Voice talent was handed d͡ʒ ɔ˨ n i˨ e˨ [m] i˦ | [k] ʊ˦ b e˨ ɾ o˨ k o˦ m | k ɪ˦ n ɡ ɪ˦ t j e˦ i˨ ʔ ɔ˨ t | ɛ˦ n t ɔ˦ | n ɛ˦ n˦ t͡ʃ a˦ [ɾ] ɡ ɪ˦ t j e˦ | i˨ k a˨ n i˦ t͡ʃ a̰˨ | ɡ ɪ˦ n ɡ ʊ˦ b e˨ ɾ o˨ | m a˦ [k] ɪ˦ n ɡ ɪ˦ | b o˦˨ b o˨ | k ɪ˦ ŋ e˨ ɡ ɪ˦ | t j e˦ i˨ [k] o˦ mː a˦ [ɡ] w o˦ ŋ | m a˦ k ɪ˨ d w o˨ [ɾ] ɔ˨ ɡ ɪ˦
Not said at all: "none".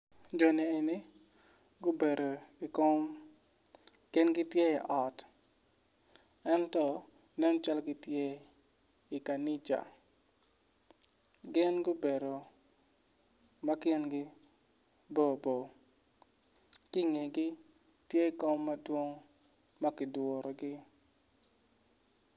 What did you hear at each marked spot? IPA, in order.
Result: n, ɡ, l, k, k, d, ɾ

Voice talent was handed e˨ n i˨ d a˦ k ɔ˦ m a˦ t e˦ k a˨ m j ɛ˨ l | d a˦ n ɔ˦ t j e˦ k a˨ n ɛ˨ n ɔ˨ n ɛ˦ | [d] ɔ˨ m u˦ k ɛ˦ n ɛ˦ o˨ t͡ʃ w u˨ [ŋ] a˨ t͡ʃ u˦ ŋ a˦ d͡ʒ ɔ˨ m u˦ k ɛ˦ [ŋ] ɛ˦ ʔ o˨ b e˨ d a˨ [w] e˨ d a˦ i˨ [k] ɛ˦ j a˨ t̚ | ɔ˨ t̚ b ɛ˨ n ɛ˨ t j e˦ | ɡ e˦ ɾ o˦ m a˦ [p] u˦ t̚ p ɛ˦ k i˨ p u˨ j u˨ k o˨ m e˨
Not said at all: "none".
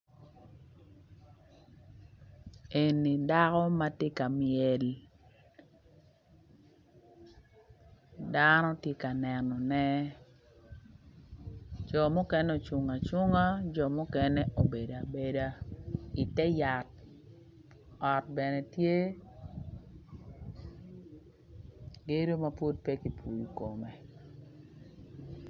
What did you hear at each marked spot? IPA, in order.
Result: d͡ʒ, ŋ, n, b, t, p

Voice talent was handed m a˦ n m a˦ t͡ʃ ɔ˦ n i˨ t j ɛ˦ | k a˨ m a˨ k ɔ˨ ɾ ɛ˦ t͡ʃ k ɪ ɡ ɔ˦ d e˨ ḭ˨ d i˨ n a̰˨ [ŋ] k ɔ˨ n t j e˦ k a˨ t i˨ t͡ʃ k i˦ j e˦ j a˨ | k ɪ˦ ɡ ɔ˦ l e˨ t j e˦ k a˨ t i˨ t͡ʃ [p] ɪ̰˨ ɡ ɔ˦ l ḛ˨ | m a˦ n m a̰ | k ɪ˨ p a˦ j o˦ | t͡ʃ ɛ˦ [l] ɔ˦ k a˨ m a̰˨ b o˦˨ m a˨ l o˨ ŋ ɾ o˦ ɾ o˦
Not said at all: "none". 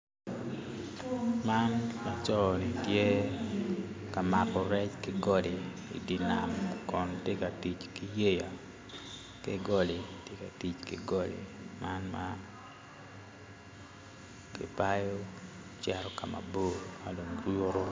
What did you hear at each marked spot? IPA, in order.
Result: m, k, ɾ

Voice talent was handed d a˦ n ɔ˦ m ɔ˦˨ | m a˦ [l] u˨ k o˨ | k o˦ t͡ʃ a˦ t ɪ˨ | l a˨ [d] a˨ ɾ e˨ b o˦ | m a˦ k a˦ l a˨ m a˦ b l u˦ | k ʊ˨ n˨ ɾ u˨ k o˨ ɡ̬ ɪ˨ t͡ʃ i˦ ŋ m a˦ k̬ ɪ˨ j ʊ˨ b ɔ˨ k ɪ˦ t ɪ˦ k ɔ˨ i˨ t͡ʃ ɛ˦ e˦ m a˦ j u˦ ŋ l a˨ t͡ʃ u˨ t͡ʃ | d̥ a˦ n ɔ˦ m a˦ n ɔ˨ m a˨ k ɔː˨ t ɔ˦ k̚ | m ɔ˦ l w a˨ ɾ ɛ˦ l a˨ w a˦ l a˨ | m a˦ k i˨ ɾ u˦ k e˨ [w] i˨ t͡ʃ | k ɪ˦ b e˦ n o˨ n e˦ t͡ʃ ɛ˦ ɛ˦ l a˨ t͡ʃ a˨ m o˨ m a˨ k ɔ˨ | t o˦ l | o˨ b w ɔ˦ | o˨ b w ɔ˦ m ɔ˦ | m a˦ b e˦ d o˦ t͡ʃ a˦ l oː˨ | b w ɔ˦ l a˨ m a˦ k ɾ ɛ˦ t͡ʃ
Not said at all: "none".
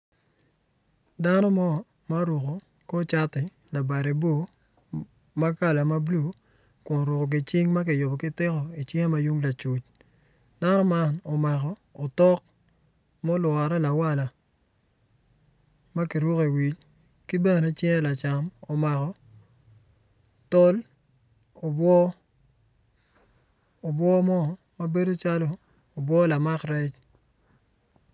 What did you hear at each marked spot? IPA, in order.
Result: ɾ, b, w

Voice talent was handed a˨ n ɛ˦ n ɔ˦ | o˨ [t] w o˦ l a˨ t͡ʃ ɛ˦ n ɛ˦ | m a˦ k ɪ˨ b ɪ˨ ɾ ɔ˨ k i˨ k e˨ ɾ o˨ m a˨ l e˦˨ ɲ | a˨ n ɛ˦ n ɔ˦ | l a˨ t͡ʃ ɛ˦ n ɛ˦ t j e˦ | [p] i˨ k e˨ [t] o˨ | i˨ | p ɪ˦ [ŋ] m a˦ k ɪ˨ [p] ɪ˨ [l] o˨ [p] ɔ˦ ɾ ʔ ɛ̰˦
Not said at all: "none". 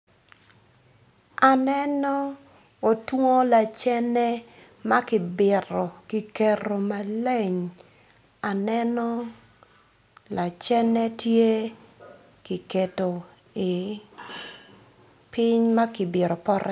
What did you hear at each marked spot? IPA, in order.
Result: t, k, t, ɲ, b, ɾ, p

